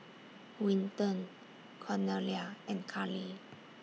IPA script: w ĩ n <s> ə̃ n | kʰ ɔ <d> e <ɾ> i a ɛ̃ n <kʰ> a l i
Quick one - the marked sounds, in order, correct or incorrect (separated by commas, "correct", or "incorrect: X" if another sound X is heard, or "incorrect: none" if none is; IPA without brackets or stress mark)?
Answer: incorrect: t, incorrect: n, incorrect: l, correct